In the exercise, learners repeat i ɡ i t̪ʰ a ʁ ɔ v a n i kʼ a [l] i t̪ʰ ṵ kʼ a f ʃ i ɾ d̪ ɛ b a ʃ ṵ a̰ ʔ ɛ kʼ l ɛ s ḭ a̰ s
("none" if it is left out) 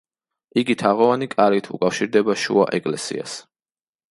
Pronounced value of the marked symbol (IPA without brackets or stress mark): ɾ